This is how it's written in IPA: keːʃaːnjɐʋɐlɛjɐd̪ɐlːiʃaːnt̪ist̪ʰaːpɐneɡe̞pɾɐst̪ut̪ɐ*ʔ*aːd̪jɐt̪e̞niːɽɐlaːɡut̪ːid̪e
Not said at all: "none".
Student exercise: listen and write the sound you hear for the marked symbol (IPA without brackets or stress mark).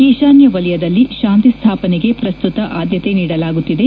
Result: ʔ